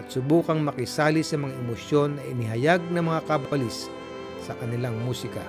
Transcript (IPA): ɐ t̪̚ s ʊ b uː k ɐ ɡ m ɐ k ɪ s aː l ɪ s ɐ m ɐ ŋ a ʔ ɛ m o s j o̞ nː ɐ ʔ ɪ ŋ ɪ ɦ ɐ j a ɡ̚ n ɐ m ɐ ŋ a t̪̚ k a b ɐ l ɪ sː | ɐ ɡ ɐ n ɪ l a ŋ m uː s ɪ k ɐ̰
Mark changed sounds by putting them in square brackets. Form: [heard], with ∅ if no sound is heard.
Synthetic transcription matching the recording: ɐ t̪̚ s ʊ b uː k ɐ [ŋ] m ɐ k ɪ s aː l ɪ s ɐ m ɐ ŋ a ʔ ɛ m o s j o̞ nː ɐ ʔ ɪ [n] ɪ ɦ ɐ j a ɡ̚ n ɐ m ɐ ŋ a [∅] k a b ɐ l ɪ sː | ɐ [k] ɐ n ɪ l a ŋ m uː s ɪ k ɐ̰